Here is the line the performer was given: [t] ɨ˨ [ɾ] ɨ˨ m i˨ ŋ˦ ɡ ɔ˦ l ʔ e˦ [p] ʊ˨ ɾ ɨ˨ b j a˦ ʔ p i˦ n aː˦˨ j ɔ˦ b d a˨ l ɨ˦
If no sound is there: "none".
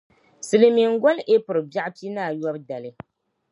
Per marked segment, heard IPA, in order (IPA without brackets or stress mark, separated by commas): s, l, p